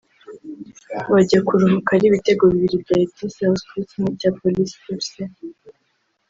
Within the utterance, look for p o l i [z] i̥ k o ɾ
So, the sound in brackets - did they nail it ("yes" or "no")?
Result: no